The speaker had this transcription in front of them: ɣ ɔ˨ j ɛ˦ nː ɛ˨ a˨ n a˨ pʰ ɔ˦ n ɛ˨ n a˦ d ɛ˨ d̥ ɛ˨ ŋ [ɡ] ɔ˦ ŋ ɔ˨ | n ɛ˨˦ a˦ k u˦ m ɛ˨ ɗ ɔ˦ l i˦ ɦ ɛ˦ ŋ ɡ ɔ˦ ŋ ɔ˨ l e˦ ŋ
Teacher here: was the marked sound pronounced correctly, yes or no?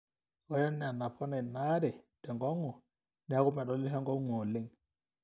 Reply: yes